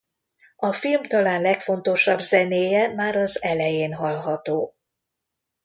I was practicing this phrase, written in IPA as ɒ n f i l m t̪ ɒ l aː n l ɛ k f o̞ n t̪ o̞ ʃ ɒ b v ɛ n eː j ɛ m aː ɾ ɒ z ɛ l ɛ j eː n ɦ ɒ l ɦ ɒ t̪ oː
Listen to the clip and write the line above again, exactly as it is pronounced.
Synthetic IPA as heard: ɒ f i l m t̪ ɒ l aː n l ɛ k f o̞ n t̪ o̞ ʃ ɒ b z ɛ n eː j ɛ m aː ɾ ɒ z ɛ l ɛ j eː n ɦ ɒ l ɦ ɒ t̪ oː